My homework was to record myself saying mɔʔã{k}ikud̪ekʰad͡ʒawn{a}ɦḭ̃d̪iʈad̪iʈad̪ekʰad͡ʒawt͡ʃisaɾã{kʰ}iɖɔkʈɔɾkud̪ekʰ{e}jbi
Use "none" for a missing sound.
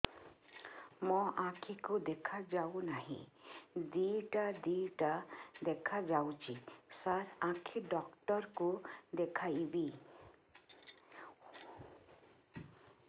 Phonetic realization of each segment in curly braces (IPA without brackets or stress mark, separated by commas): kʰ, a, kʰ, a